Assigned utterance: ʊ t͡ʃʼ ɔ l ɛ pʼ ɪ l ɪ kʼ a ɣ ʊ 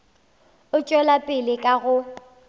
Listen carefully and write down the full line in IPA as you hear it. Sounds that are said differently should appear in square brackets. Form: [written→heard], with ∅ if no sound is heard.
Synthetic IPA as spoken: ʊ t͡ʃʼ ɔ l [ɛ→a] pʼ ɪ l ɪ kʼ a ɣ ʊ